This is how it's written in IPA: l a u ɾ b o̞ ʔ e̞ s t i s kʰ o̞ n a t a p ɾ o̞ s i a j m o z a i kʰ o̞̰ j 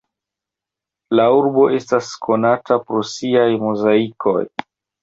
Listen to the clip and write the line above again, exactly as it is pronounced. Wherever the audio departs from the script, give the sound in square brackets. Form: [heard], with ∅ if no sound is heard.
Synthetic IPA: l a u ɾ b o̞ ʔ e̞ s t [a] s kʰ o̞ n a t a p ɾ o̞ s i a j m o z a i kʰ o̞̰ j